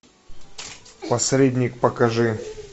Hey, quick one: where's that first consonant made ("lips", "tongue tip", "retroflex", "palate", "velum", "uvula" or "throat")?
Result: lips